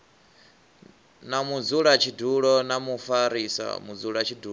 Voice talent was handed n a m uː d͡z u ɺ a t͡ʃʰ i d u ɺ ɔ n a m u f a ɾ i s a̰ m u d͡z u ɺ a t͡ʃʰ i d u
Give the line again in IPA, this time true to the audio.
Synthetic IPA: n a m u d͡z u ɺ a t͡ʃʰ i d u ɺ ɔ n a m u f a ɾ i s a̰ m u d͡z u ɺ a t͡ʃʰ i d u